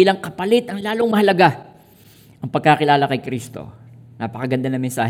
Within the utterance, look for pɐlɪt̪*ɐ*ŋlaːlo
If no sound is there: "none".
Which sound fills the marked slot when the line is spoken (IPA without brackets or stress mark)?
ɐ